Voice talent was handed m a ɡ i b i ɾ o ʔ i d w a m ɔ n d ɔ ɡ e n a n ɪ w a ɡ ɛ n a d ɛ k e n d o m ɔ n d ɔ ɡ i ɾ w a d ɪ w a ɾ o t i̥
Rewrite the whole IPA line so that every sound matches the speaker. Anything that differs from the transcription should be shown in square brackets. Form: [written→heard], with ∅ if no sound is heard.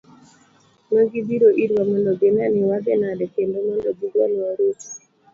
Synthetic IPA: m a ɡ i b i ɾ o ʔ i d w a m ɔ n d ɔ ɡ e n a n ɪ w a ɡ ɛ n a d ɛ k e n d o m ɔ n d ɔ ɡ i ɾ w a [d→n] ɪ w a ɾ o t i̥